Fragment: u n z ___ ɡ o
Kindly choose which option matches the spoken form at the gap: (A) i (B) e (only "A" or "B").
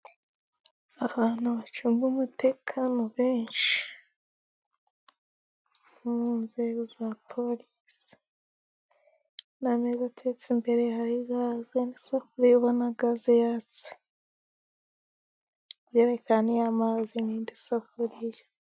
B